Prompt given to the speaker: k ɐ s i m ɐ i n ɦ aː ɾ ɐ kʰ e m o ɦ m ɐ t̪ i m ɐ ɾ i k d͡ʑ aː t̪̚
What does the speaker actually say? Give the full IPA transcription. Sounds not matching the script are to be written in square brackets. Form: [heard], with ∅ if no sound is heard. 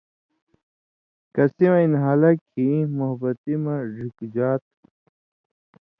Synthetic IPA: k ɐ s i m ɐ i n ɦ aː [l] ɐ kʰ [i] m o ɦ [b] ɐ t̪ i m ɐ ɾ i k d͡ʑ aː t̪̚